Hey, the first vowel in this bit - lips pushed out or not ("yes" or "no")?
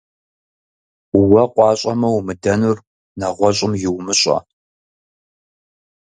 no